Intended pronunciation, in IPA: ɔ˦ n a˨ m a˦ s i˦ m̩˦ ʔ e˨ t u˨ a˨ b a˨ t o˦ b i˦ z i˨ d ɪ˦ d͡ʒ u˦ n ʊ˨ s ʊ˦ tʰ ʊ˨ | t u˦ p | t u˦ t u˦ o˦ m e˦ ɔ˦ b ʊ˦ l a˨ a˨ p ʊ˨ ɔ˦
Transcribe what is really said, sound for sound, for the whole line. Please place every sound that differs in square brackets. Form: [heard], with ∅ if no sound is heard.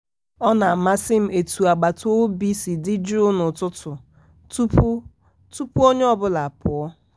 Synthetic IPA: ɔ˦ n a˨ m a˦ s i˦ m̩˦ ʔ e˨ t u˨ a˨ [ɡ͡b] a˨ t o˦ b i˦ [s] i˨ d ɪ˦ d͡ʒ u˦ n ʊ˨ [t] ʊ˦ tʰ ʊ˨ | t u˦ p | t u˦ [p] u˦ o˦ [ɲ] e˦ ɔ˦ b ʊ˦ l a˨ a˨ p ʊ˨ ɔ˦